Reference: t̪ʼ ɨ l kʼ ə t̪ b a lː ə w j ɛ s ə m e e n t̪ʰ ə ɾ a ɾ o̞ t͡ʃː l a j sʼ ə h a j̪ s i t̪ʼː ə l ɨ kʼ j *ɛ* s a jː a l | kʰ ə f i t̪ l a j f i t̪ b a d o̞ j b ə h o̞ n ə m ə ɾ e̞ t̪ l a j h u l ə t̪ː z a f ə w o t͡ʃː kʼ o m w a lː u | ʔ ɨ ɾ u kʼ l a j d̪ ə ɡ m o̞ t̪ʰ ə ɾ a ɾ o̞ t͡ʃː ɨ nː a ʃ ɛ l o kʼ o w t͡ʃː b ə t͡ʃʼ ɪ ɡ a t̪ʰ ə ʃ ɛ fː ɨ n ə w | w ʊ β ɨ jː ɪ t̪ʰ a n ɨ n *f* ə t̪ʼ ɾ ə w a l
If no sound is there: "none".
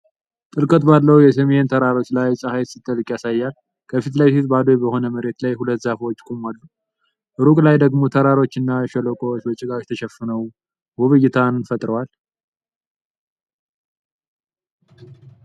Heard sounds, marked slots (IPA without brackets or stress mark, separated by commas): a, f